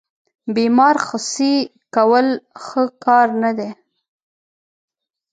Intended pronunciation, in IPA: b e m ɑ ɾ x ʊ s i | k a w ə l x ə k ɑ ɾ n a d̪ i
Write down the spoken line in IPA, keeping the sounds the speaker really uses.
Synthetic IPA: b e m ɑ ɾ x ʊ s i | k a w ə l x ə k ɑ ɾ n a d̪ e